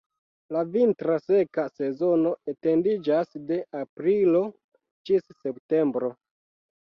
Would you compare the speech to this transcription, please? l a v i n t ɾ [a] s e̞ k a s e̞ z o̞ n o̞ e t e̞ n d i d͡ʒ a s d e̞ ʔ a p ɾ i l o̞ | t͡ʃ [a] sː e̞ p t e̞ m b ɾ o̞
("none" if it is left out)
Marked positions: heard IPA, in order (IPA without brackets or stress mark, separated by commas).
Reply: a, i